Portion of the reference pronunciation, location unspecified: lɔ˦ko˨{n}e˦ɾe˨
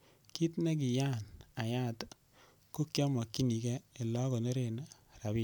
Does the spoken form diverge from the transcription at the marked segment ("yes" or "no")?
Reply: no